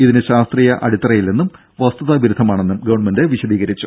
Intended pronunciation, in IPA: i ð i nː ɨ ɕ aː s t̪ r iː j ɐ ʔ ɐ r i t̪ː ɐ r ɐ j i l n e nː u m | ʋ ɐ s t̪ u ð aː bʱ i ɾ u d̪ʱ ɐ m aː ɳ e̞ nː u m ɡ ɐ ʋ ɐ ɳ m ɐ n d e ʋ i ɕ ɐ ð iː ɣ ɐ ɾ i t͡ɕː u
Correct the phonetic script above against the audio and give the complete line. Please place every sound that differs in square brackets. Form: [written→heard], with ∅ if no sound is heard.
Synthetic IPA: i ð i [nː→n] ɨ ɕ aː s t̪ r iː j ɐ ʔ ɐ [r→ɽ] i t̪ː ɐ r ɐ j i l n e nː u m | ʋ ɐ s t̪ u ð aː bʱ i ɾ u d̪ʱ ɐ m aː ɳ e̞ nː u m ɡ ɐ ʋ ɐ ɳ m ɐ n d e ʋ i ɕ ɐ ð iː ɣ ɐ ɾ i t͡ɕː u